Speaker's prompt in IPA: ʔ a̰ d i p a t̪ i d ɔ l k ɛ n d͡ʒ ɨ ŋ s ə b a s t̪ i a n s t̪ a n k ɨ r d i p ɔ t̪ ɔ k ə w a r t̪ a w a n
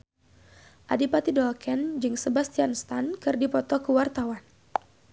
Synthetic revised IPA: ʔ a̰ d i p a t̪ i d ɔ l k ɛ n d͡ʒ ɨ ŋ s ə b a s t̪ i a n s t̪ a n k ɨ r d i p ɔ t̪ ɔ k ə w a r t̪ a w a n